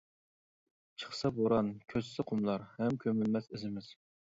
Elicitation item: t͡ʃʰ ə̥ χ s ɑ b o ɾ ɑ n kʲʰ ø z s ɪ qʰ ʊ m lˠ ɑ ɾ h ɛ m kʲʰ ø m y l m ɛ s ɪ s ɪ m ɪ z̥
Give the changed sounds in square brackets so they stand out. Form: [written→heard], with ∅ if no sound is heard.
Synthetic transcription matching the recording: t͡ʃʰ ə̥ χ s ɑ b o ɾ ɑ n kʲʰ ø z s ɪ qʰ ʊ m lˠ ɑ ɾ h ɛ m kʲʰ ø m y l m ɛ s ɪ [s→z] ɪ m ɪ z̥